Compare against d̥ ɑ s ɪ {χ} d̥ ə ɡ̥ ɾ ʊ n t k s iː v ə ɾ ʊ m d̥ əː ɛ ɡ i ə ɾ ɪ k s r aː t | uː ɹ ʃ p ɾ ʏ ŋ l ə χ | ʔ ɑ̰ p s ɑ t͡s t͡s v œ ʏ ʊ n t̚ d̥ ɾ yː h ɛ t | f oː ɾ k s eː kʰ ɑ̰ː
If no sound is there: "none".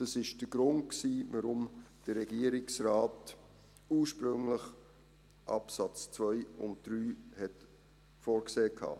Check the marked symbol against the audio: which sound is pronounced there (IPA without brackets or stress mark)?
ʃ